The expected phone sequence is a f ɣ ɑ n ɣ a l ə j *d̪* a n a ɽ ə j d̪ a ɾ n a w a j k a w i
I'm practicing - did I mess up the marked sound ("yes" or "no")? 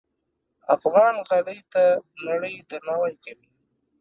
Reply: yes